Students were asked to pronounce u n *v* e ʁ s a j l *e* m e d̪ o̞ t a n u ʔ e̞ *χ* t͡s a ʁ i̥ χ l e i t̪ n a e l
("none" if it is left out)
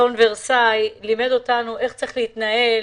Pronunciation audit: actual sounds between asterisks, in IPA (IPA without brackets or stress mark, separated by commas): v, i, χ